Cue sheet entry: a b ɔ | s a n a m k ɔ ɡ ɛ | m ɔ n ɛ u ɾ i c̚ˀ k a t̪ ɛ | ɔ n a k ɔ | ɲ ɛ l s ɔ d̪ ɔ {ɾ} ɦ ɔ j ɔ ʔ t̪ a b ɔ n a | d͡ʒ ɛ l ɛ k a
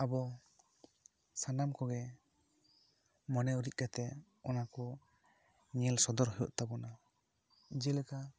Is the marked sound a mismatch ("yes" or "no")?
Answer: no